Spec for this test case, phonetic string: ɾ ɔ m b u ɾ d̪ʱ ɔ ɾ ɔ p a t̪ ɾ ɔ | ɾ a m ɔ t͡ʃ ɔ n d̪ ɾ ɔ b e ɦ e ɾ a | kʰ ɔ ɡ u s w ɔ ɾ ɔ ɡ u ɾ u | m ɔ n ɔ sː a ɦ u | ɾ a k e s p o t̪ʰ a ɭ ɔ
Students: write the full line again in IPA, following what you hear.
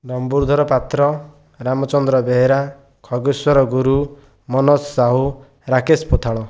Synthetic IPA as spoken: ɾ ɔ m b u ɾ d̪ʱ ɔ ɾ ɔ p a t̪ ɾ ɔ | ɾ a m ɔ t͡ʃ ɔ n d̪ ɾ ɔ b e ɦ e ɾ a | kʰ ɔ ɡ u s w ɔ ɾ ɔ ɡ u ɾ u | m ɔ n ɔ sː a ɦ u | ɾ a k e s p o t̪ʰ a ɭ ɔ